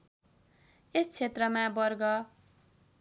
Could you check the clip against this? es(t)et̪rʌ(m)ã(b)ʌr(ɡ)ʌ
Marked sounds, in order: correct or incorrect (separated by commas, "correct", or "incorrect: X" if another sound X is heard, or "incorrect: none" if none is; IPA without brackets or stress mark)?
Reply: incorrect: t͡sʰ, correct, correct, correct